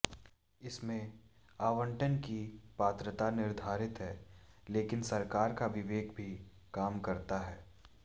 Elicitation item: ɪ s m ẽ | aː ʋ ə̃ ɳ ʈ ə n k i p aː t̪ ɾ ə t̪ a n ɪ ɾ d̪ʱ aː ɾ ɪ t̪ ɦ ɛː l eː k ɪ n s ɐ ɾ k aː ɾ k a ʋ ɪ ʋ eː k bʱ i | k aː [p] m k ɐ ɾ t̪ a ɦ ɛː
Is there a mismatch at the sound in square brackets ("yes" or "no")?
yes